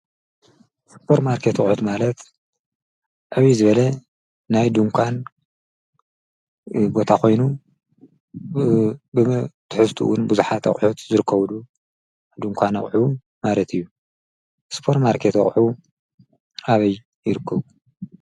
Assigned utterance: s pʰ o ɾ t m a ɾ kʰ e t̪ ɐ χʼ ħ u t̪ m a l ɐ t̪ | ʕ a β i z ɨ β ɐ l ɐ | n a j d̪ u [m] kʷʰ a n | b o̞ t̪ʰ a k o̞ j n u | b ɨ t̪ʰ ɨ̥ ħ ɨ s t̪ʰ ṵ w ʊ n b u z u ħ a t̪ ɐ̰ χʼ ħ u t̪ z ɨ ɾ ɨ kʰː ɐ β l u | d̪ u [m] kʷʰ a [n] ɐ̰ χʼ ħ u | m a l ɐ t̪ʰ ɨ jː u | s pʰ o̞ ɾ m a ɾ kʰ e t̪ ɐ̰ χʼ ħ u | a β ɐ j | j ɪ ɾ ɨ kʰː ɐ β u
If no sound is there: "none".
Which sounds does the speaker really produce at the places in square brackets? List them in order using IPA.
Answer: ŋ, ŋ, n

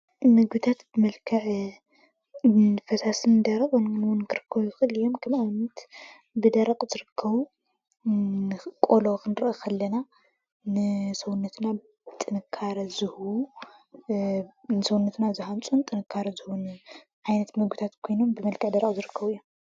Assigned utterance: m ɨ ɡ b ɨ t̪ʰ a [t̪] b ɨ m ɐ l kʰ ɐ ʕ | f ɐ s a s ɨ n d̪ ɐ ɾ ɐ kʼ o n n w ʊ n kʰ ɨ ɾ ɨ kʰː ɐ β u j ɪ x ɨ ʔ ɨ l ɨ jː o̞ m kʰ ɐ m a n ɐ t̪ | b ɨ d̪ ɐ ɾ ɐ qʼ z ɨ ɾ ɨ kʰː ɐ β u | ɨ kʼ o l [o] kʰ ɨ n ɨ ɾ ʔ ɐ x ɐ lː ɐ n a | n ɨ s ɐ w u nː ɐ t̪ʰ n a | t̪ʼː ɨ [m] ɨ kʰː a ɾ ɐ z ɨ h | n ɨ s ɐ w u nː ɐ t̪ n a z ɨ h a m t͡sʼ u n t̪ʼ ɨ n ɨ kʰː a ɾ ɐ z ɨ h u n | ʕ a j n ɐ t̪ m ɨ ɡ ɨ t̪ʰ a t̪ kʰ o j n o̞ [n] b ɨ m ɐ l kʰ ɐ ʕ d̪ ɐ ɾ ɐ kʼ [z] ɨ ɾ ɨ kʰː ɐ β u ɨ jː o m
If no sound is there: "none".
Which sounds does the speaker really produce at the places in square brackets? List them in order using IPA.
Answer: t̪, o, n, m, z

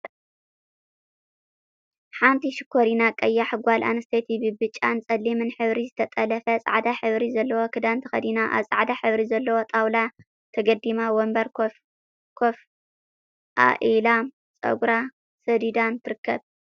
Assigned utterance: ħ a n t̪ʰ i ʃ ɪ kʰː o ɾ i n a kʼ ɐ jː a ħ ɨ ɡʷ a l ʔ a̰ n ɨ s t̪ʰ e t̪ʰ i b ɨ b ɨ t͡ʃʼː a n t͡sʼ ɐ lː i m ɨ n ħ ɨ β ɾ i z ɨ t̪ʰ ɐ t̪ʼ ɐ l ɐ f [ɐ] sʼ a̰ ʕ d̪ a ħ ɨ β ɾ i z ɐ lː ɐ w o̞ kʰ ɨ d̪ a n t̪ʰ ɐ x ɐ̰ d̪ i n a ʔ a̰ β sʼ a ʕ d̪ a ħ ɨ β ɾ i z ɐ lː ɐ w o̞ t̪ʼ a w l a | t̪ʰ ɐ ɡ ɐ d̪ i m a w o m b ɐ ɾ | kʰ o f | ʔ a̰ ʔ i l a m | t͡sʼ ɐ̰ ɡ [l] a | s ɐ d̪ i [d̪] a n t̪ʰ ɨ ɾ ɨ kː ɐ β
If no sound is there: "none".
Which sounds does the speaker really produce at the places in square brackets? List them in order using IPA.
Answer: ɐ, ɾ, d̪

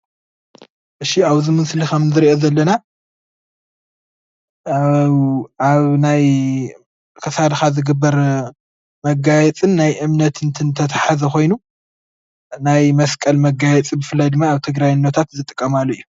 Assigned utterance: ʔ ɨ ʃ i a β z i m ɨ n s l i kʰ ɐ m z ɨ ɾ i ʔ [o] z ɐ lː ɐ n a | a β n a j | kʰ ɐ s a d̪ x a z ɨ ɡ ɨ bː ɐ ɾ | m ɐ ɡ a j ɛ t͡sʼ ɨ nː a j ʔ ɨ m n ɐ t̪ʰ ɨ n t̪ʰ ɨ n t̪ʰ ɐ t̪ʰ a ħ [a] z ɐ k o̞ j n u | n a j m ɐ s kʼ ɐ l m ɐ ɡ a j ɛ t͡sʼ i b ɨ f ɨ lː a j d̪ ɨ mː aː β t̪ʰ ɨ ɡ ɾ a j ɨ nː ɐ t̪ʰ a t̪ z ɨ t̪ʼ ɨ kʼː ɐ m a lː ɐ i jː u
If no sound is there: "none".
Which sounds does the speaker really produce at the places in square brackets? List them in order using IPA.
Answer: o, a

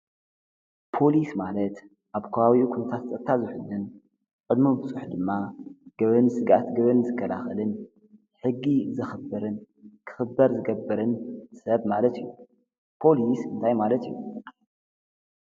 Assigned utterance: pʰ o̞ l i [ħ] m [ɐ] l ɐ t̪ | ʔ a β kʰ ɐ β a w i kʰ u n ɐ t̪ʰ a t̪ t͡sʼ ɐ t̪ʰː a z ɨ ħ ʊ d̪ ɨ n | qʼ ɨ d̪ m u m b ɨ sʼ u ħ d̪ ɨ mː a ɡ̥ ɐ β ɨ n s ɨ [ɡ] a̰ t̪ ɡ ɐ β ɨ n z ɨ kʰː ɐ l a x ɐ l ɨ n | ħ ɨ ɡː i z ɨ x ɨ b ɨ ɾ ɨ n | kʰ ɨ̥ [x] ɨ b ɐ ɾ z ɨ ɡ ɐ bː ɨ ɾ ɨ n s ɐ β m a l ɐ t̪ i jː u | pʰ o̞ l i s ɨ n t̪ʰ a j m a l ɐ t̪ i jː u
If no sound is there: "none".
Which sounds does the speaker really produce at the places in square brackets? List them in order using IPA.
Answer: s, a, ɡ, x

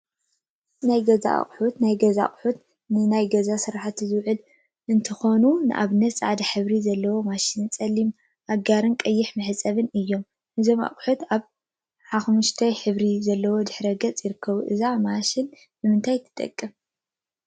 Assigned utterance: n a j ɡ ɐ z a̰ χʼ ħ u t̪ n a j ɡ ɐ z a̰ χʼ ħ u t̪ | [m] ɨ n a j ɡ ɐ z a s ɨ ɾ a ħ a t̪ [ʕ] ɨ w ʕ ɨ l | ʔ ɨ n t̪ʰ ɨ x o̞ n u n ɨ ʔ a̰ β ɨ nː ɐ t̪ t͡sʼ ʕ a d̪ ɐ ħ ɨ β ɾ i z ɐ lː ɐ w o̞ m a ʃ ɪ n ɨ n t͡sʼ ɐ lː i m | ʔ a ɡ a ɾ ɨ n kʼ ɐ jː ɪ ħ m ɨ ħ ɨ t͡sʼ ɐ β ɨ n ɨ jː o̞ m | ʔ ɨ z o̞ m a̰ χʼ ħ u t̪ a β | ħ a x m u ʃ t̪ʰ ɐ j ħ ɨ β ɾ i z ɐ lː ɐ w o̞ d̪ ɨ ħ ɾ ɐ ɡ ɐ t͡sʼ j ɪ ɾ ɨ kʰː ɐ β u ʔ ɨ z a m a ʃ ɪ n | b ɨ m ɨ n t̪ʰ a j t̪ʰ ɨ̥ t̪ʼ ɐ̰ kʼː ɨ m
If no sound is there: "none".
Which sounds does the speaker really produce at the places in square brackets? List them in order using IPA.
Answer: n, z

